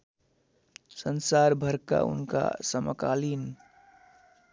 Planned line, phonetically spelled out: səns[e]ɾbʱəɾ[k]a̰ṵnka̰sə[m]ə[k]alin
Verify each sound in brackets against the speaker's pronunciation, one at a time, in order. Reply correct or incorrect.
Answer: incorrect: a, correct, correct, correct

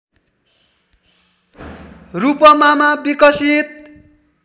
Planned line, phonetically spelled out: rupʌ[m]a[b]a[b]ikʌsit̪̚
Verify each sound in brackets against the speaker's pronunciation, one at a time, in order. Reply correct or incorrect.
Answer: correct, incorrect: m, correct

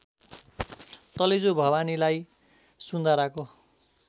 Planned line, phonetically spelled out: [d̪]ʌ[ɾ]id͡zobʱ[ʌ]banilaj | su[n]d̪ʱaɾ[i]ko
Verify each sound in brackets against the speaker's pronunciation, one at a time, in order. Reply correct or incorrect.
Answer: incorrect: t̪, incorrect: l, correct, correct, incorrect: a

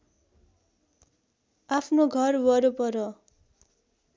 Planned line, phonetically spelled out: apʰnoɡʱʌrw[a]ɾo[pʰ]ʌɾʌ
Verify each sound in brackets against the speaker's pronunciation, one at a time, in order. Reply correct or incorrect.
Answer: incorrect: ʌ, incorrect: p

